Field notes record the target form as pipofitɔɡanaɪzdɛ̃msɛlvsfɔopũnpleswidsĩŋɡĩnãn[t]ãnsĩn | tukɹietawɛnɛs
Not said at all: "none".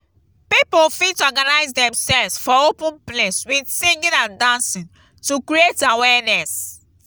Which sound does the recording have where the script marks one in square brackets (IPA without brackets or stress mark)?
d